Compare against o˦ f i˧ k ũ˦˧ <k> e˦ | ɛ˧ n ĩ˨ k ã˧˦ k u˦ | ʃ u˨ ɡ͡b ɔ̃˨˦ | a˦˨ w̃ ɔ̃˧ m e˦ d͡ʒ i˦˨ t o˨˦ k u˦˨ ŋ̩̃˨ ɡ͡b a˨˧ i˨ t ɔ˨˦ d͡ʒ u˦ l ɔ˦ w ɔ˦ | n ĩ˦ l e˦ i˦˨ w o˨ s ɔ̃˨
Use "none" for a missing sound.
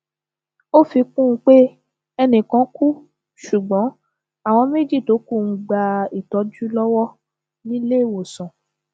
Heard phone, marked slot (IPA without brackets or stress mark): k͡p